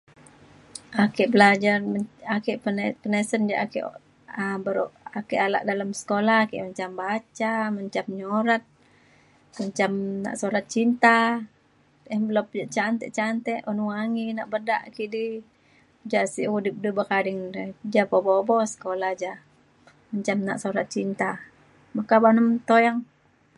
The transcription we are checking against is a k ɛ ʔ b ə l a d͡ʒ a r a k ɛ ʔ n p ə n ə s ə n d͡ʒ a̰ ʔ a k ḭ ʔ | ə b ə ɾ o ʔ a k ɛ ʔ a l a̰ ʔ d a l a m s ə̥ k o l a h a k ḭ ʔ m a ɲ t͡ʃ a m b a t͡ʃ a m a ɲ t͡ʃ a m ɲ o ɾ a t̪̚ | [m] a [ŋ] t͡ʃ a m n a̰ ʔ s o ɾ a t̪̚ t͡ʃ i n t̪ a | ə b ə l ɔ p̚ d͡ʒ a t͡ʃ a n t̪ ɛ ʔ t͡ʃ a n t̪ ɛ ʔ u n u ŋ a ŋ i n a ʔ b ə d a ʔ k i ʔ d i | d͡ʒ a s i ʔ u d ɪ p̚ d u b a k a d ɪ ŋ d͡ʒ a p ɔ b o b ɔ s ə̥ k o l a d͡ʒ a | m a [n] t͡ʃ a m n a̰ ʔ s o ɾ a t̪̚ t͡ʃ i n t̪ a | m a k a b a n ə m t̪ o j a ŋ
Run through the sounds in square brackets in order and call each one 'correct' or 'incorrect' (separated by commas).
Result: correct, incorrect, incorrect